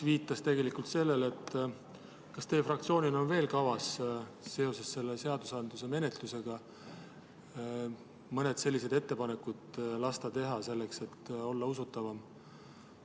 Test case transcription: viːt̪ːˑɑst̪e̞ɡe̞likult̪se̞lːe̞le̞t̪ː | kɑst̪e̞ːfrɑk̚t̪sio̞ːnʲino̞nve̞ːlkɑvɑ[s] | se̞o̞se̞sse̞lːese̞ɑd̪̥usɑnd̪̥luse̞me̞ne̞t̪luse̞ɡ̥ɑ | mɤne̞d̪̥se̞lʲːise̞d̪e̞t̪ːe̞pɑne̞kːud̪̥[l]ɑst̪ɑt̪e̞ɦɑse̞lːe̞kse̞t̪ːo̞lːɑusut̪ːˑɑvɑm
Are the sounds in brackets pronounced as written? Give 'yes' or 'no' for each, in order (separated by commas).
yes, yes